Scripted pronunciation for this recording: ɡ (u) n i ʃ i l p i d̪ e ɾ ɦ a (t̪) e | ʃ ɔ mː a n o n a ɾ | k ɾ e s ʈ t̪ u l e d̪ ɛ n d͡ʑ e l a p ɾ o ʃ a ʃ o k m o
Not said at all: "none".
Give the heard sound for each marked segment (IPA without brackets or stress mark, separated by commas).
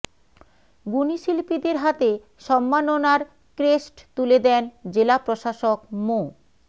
u, t̪